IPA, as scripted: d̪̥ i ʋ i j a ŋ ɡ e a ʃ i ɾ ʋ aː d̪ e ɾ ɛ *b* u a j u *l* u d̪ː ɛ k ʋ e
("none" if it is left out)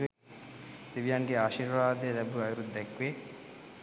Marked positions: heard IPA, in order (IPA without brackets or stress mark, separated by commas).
b, ɾ